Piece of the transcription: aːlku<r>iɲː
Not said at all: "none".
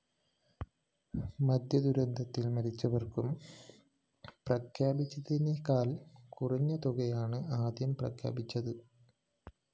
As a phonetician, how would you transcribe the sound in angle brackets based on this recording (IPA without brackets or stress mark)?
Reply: r